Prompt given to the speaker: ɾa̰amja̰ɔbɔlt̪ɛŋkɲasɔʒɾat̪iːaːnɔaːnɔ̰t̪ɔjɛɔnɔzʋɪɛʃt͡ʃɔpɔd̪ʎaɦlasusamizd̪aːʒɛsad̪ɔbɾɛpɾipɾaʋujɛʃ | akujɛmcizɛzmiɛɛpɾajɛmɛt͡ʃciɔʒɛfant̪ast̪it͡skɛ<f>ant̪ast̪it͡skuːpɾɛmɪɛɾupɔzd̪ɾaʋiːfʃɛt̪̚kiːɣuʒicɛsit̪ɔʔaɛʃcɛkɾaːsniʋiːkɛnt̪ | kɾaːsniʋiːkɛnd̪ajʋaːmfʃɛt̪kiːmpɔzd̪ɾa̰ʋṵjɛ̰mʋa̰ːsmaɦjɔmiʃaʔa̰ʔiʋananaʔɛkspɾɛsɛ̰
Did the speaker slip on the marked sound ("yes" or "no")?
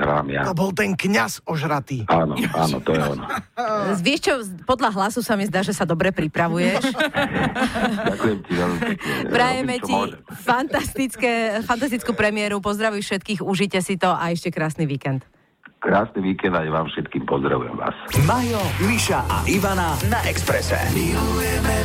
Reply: no